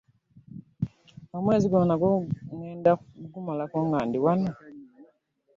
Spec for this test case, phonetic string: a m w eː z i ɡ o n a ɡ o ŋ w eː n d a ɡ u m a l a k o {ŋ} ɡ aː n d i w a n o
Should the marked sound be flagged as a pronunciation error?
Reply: no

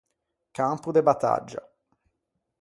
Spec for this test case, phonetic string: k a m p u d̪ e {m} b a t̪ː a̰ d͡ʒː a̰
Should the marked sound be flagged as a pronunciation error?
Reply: yes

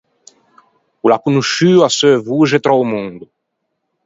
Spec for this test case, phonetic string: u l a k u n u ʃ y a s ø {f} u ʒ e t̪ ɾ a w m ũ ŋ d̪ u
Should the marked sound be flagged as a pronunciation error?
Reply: yes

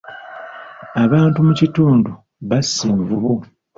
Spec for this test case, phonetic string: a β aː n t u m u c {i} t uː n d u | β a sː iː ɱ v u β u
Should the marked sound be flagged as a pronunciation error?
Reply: no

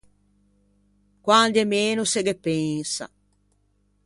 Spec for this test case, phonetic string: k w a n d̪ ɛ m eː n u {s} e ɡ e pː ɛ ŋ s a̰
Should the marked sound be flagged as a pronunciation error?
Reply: no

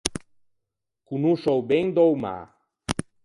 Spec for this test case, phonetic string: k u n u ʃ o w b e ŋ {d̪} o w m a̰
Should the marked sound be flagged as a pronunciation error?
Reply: no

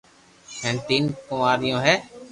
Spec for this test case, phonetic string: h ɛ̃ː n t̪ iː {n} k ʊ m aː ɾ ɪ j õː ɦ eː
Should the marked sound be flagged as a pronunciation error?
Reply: no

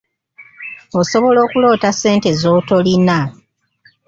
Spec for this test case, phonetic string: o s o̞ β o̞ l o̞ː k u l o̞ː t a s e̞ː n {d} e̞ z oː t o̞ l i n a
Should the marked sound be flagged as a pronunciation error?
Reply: yes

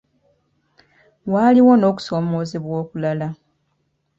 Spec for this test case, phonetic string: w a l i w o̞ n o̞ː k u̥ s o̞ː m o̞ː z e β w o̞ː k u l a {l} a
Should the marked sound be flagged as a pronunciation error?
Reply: no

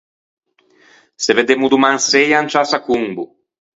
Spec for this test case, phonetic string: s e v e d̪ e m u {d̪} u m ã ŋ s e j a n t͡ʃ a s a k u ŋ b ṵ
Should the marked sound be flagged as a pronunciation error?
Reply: no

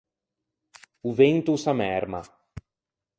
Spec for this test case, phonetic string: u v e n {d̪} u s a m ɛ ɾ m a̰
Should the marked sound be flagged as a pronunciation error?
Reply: yes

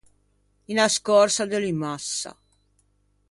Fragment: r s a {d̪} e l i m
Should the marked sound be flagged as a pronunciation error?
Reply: no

